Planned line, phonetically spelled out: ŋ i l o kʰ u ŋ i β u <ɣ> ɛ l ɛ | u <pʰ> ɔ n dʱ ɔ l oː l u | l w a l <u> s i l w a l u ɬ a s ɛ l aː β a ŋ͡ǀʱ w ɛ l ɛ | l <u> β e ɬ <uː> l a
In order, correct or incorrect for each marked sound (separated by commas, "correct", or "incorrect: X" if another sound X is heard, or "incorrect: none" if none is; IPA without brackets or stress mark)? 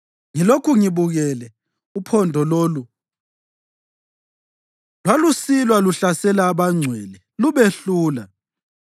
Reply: correct, correct, correct, correct, correct